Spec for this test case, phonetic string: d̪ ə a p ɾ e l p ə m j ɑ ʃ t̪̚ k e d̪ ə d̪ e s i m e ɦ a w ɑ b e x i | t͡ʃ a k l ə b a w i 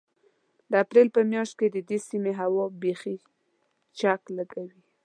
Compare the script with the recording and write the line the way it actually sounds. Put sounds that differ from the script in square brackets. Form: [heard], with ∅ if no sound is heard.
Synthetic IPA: d̪ ə a p ɾ e l p ə m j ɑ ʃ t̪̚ k e d̪ ə d̪ e s i m e ɦ a w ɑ b e x i | t͡ʃ a k l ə [ɡ] a w i